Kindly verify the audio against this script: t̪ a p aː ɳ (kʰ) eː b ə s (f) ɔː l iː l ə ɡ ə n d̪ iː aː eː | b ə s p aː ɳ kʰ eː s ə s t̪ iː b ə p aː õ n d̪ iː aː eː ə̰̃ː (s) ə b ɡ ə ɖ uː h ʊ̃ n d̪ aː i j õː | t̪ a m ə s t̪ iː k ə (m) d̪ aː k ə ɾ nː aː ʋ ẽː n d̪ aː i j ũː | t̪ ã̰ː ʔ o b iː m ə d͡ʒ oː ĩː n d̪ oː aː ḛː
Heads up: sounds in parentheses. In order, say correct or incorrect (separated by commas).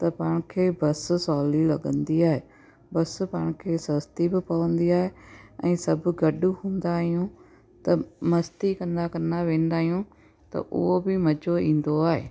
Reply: correct, incorrect, correct, incorrect